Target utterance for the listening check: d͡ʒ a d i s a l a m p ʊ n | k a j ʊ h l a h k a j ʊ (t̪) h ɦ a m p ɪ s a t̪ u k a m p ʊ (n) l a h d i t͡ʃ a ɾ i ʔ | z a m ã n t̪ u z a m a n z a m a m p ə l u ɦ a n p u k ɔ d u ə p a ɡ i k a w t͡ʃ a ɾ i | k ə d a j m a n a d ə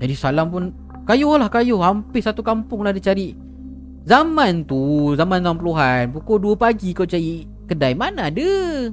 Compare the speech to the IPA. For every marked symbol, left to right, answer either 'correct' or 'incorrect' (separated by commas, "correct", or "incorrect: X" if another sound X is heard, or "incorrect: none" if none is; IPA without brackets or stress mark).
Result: incorrect: none, incorrect: ŋ